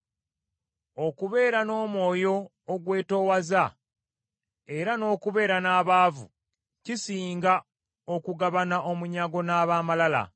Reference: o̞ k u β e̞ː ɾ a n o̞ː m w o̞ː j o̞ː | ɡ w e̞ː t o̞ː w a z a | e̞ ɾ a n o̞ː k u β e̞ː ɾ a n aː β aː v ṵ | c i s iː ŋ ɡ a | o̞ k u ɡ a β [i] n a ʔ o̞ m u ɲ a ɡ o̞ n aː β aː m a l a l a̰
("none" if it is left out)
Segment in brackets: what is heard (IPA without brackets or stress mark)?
a